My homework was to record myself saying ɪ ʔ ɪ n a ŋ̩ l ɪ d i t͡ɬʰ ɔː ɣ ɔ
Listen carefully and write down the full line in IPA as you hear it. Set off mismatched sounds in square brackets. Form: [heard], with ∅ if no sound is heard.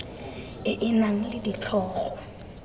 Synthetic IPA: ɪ ʔ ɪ n a ŋ̩ l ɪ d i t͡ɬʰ ɔː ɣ ɔ

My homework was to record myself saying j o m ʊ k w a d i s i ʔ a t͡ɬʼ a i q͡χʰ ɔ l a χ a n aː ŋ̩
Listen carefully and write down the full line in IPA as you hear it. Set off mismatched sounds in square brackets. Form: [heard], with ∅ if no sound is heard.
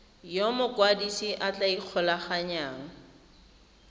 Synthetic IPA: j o m ʊ k w a d i s i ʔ a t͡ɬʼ a i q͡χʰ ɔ l a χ a [ɲ] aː ŋ̩

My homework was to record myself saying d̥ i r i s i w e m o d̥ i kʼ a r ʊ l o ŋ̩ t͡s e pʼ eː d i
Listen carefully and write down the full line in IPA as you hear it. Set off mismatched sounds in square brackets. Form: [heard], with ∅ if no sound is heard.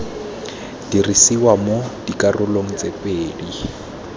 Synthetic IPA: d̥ i r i s i w [a] m o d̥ i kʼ a r ʊ l o ŋ̩ t͡s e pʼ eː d i

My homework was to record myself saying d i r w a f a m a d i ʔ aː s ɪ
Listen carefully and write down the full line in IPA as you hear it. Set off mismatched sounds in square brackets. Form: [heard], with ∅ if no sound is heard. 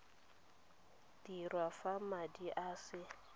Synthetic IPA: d i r w a f a m a d i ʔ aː s ɪ

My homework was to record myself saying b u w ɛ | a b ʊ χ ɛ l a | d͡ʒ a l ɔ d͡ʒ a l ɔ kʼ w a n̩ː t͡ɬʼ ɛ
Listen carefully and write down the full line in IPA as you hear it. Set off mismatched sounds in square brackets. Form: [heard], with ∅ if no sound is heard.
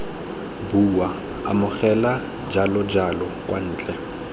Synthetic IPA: b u w [a] | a [m] ʊ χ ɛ l a | d͡ʒ a l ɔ d͡ʒ a l ɔ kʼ w a n̩ː t͡ɬʼ ɛ

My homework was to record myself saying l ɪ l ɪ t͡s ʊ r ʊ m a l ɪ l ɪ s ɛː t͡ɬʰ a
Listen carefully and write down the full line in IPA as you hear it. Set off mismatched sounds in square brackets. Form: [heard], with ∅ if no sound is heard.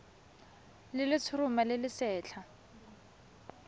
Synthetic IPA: l ɪ l ɪ [t͡sʰ] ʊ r ʊ m a l ɪ l ɪ s ɛː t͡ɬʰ a

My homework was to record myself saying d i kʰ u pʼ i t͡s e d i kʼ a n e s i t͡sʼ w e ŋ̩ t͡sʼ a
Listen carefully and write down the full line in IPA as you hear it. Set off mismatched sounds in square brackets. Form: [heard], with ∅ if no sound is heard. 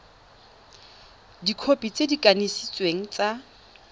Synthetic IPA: d i kʰ [o] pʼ i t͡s e d i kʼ a n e s i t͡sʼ w e ŋ̩ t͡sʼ a

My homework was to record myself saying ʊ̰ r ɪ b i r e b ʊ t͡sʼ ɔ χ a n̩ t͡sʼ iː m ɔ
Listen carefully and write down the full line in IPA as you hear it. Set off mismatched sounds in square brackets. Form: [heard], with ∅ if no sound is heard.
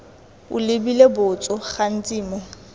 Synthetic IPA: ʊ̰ [l] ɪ b i [l] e b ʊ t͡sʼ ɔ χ a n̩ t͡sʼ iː m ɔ

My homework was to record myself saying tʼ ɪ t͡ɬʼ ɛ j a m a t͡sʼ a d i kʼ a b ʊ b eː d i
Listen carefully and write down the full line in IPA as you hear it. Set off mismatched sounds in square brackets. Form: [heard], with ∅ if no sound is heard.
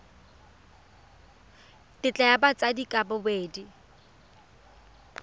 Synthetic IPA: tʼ ɪ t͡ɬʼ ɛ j a [b] a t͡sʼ a d i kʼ a b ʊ b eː d i

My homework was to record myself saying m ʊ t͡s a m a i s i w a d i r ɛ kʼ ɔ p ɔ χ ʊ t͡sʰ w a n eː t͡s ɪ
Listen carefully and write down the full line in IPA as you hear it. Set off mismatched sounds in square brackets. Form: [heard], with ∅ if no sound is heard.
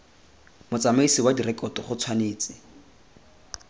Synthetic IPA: m ʊ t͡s a m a i s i w a d i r ɛ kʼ ɔ [t] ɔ χ ʊ t͡sʰ w a n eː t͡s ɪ

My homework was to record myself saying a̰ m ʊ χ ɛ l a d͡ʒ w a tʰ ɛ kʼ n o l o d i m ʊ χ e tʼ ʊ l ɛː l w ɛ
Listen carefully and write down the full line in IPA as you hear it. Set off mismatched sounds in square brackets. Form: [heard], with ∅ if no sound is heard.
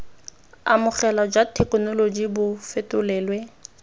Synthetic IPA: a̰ m ʊ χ ɛ l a d͡ʒ w a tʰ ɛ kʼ n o l o [d͡ʒ] i [b] ʊ [f] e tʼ ʊ l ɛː l w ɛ

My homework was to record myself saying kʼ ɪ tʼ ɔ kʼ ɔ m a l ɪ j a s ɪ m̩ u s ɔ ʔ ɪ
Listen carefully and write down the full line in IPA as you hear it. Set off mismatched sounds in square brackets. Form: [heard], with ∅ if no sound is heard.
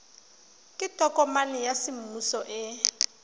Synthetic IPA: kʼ ɪ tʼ ɔ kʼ ɔ m a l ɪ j a s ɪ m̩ u s ɔ ʔ ɪ

